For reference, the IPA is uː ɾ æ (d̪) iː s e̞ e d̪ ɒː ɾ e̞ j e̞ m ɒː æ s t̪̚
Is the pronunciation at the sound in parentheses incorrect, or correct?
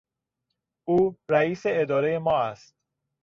incorrect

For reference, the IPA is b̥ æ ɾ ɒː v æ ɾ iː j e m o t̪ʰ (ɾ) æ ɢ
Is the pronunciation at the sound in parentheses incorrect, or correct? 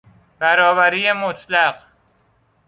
incorrect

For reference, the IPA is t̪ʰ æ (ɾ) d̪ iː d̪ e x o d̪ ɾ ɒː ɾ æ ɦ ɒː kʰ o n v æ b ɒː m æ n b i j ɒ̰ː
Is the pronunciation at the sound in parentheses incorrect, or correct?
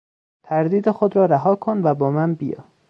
correct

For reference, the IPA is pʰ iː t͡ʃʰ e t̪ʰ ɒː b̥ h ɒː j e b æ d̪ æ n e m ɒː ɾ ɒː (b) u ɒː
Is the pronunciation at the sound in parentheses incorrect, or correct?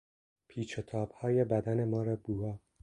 correct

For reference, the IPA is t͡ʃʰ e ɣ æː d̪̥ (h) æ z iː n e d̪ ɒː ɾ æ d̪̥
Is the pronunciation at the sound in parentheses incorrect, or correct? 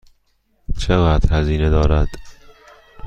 correct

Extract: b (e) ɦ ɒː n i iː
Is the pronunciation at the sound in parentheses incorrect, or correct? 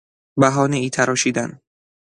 incorrect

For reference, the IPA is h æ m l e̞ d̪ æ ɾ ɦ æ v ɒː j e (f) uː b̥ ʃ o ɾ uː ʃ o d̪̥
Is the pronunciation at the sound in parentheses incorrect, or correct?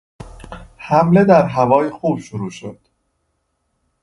incorrect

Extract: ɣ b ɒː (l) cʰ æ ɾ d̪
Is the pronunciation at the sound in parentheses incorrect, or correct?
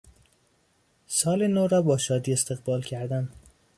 correct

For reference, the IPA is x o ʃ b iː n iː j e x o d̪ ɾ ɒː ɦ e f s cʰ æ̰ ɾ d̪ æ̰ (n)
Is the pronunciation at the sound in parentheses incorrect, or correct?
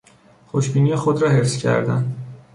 correct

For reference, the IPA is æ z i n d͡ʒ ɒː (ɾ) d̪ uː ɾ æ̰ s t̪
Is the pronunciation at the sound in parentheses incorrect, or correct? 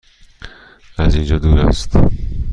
incorrect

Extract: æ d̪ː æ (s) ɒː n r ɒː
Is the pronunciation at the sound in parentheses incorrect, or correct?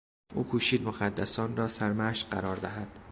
correct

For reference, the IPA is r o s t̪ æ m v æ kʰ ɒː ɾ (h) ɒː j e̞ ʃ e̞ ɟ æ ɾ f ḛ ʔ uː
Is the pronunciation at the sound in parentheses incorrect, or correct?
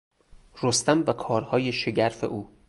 correct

